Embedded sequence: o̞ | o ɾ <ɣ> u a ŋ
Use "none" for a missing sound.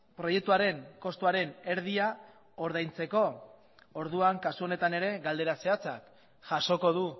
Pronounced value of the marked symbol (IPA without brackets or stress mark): ð